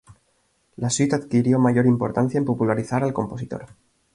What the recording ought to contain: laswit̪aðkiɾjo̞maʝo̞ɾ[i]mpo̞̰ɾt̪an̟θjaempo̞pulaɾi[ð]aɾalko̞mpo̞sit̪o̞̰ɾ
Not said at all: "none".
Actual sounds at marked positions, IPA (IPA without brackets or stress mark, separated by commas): i, θ